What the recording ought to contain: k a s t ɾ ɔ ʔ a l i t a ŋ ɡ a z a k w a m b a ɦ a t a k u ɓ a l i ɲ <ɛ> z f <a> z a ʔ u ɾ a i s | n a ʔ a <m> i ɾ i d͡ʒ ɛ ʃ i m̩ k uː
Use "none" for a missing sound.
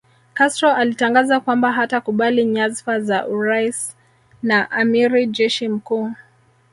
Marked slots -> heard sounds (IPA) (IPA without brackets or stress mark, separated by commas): a, a, m